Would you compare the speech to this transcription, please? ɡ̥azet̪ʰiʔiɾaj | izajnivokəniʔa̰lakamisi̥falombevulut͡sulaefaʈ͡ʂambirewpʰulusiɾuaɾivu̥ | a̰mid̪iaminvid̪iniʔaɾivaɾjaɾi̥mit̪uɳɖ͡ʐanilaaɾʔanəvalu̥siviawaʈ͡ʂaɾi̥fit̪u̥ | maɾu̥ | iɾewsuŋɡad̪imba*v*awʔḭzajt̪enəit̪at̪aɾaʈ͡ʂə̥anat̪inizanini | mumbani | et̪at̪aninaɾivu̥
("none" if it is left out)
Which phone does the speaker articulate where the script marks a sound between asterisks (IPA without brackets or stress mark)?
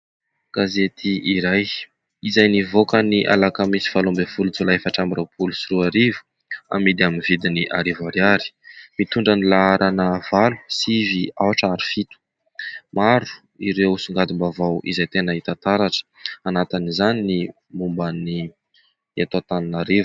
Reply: v